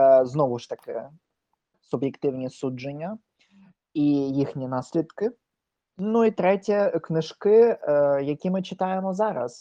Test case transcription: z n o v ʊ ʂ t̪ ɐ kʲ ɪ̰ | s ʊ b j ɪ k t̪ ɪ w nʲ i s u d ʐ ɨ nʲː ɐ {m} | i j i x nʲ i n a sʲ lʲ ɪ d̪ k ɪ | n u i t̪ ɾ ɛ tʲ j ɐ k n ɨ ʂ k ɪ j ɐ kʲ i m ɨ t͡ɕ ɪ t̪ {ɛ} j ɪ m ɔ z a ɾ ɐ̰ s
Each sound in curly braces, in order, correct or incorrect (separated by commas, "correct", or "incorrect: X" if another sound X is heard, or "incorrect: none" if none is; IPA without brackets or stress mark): incorrect: none, incorrect: a